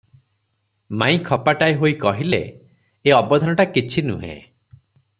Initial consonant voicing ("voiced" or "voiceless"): voiced